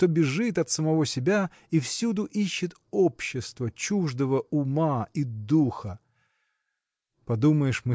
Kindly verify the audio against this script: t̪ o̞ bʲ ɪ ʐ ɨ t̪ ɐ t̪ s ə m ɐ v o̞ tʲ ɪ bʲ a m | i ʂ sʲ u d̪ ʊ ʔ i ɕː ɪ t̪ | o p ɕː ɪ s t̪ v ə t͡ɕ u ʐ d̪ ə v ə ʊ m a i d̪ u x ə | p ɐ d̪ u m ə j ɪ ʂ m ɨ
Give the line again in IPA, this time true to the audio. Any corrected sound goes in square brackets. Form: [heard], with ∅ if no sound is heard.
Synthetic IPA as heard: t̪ o̞ bʲ ɪ ʐ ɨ t̪ ɐ t̪ s ə m ɐ v o̞ [sʲ] ɪ bʲ a [∅] | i [f] sʲ u d̪ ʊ ʔ i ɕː ɪ t̪ | o p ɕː ɪ s t̪ v ə t͡ɕ u ʐ d̪ ə v ə ʊ m a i d̪ u x ə | p ɐ d̪ u m ə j ɪ ʂ m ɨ